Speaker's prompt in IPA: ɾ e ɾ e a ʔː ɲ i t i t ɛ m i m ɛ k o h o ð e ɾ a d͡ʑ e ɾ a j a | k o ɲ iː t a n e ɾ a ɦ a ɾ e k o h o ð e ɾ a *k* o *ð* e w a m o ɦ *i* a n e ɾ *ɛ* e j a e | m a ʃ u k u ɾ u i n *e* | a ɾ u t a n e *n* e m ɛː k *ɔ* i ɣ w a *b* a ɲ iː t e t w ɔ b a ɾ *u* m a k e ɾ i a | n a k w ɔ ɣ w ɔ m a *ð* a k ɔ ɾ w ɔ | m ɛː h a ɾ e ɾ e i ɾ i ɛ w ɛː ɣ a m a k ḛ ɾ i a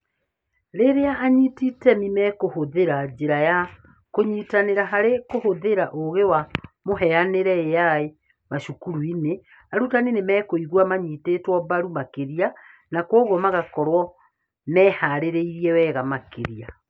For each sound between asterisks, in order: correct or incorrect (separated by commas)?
incorrect, incorrect, incorrect, correct, correct, correct, incorrect, incorrect, correct, incorrect